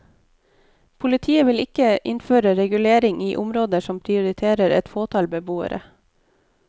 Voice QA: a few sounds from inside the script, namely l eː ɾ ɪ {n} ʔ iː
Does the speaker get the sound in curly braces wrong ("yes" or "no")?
yes